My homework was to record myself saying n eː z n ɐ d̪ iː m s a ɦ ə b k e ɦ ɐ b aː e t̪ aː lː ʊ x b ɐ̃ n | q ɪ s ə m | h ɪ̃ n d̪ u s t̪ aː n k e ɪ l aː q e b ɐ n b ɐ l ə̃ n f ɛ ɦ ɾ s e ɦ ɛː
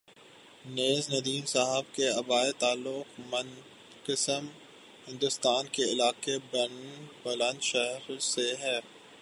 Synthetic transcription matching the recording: n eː z n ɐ d̪ iː m s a ɦ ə b k e ɐ b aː e t̪ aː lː ʊ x m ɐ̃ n | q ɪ s ə m | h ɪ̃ n d̪ ʊ s t̪ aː n k e ɪ l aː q e b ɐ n b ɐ l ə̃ n ʃ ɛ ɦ ɾ s e ɦ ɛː